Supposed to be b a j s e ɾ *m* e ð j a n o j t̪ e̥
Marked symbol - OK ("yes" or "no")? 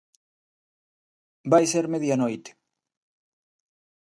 yes